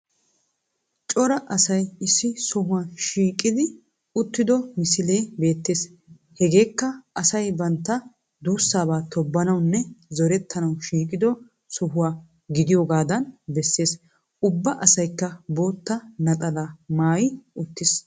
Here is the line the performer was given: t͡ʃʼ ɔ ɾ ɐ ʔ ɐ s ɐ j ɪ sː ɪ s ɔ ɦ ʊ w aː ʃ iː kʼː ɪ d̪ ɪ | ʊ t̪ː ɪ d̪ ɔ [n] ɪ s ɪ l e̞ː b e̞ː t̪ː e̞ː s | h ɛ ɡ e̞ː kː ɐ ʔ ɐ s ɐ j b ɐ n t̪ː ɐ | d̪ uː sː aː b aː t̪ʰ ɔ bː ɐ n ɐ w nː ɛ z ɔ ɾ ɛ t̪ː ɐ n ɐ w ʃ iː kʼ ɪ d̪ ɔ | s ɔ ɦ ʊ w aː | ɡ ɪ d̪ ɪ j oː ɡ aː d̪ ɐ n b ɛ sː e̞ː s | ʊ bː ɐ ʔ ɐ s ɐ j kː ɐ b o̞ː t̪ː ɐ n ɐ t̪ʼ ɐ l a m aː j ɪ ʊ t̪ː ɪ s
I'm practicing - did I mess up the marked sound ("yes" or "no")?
yes